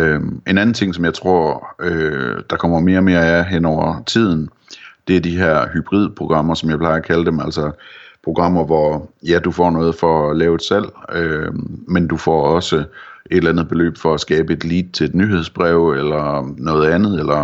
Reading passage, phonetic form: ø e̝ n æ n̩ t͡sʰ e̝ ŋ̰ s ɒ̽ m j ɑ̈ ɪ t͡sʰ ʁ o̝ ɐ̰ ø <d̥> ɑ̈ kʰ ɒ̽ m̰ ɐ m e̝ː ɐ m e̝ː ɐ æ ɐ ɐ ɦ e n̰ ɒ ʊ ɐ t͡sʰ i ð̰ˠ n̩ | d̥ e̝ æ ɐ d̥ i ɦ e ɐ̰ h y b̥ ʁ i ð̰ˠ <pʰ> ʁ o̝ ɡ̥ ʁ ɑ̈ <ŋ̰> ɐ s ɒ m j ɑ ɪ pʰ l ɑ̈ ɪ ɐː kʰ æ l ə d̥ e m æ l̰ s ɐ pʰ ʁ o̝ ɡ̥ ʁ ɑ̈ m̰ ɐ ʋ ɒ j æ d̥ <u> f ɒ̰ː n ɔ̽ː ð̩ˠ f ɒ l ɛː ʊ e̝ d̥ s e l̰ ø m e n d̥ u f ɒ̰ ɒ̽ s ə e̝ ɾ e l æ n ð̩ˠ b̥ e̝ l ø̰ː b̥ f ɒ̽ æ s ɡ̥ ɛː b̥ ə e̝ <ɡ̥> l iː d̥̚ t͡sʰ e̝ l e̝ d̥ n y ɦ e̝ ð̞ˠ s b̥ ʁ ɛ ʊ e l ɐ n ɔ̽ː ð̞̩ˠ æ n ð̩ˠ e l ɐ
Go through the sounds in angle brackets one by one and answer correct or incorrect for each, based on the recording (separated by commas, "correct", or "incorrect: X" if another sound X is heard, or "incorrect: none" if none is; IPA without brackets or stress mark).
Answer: correct, correct, incorrect: m̰, correct, incorrect: d̥